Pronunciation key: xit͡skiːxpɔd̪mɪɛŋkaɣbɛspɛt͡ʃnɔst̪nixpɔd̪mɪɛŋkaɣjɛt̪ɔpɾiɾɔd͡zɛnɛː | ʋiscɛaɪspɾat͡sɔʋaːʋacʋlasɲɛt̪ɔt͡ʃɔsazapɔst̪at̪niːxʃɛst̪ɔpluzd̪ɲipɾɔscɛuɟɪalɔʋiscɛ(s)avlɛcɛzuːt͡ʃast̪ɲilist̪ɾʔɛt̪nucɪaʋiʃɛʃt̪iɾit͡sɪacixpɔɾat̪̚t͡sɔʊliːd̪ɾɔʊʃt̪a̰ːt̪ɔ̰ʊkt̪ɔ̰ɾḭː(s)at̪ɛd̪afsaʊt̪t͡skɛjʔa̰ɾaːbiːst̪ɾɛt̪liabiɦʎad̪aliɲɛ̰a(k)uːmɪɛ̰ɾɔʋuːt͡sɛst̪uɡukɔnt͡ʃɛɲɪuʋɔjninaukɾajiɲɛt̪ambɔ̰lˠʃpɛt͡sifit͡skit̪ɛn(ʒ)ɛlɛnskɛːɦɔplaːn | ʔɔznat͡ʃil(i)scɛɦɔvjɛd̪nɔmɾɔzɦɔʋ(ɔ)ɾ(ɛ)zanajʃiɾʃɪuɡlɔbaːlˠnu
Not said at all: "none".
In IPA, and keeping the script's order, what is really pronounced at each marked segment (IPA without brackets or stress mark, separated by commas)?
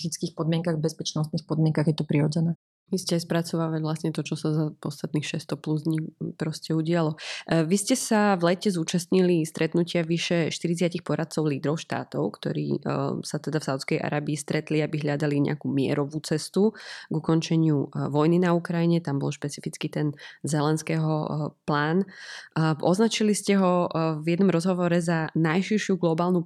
s, s, k, z, i, ɔ, ɛ